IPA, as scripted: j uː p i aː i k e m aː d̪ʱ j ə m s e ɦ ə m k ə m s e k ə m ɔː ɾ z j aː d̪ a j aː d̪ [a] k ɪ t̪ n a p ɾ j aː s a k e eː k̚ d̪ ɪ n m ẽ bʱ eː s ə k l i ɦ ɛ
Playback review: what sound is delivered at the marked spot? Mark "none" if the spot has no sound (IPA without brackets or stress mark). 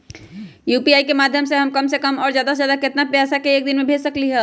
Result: a